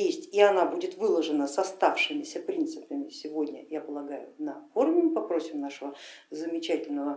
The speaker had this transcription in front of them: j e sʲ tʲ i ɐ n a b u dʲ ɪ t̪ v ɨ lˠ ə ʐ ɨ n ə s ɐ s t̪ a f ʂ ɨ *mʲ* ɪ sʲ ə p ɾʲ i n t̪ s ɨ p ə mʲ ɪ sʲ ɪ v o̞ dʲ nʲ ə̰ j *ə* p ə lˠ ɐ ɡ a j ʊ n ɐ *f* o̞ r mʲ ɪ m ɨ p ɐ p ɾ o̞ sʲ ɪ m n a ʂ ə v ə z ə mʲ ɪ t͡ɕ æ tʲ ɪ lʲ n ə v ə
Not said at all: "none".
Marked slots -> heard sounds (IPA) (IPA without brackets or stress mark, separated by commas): mʲ, a, f